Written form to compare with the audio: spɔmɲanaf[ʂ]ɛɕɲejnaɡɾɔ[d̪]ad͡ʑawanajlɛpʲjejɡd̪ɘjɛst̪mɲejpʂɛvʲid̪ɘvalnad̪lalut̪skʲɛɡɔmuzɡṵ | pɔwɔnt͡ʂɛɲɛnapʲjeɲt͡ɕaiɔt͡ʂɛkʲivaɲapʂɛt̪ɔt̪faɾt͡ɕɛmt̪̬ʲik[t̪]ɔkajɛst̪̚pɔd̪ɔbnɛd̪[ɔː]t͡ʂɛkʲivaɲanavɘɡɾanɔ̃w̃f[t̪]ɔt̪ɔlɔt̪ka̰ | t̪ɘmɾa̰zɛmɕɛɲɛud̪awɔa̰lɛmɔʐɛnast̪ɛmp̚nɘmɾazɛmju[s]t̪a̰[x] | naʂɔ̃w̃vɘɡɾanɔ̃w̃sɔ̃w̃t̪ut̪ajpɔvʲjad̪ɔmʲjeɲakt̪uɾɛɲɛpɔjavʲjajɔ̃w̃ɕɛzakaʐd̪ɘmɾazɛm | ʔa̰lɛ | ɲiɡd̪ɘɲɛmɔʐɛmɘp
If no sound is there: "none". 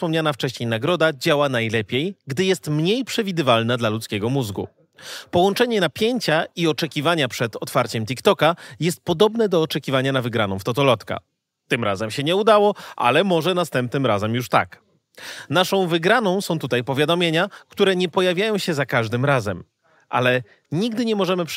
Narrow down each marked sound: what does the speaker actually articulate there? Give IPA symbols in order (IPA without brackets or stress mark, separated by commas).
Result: t͡ʂ, d̪, t̪, ɔː, t̪, ʂ, k